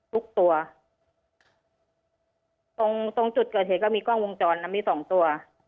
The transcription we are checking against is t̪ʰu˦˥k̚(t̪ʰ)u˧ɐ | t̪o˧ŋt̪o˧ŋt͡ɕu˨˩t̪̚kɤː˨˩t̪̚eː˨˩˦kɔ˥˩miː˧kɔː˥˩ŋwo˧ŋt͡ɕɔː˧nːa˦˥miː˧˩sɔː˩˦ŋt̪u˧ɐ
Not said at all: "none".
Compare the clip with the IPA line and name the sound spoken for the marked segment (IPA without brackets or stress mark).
t̪